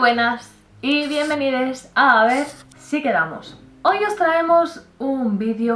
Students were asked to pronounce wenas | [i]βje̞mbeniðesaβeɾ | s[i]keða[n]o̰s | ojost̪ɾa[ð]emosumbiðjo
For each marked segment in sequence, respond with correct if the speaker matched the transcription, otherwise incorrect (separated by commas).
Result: correct, correct, incorrect, incorrect